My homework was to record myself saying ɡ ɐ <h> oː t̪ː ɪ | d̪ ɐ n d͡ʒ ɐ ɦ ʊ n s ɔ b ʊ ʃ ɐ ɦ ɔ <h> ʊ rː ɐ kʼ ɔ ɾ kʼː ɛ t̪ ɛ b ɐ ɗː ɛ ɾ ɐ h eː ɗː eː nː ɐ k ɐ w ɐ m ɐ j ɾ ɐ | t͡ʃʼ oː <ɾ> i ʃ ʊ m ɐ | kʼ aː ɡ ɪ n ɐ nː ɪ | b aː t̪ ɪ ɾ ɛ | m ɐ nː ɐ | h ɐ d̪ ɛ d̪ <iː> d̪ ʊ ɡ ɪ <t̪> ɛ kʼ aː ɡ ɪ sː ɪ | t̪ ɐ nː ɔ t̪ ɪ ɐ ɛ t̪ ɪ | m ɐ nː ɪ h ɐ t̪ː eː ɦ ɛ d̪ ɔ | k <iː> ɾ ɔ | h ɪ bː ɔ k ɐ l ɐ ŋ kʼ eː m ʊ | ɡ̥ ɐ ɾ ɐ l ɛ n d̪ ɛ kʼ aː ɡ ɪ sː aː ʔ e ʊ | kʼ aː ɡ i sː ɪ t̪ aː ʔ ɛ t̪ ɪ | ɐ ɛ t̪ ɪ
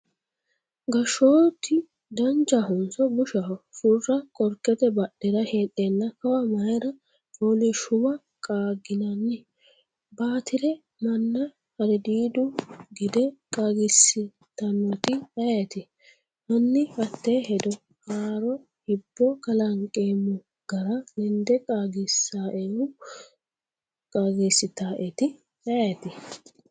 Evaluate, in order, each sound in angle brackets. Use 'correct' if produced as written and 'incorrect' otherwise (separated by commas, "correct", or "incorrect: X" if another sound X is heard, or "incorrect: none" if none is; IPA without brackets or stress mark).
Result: incorrect: ʃ, incorrect: s, incorrect: l, correct, incorrect: d̪, incorrect: aː